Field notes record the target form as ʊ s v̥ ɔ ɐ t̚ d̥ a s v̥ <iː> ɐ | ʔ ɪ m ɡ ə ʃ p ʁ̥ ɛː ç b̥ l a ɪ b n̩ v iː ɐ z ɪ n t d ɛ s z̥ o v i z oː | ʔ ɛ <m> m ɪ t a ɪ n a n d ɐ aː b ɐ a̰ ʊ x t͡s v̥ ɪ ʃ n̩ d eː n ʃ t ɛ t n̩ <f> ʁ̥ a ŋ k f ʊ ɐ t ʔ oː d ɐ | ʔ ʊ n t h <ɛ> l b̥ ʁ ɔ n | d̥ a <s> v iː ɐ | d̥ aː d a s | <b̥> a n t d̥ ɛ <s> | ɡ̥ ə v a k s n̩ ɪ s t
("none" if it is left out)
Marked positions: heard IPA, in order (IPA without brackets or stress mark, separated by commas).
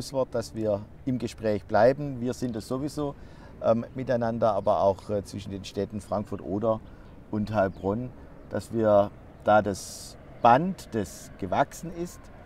iː, m, f, a, s, b̥, s